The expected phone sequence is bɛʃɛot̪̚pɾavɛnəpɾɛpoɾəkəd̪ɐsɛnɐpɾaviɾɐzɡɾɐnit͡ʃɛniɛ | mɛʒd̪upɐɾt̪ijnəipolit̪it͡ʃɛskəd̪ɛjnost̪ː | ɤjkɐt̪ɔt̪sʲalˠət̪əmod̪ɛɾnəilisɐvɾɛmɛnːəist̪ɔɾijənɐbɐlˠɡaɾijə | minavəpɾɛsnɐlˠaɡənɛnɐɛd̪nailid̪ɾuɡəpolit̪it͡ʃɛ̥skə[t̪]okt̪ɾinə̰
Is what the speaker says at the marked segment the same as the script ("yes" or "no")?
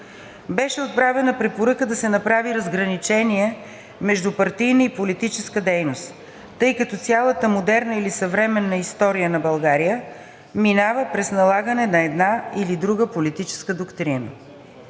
no